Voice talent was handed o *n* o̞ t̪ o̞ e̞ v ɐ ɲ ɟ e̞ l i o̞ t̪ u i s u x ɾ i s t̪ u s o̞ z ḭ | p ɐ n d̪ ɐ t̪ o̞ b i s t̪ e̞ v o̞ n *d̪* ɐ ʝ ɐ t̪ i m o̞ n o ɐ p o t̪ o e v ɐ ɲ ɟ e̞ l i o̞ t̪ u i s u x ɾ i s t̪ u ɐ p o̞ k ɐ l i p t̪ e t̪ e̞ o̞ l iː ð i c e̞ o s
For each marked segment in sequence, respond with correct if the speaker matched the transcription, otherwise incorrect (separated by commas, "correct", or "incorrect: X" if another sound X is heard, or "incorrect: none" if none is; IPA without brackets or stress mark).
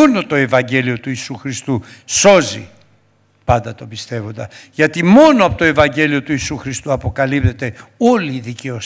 correct, correct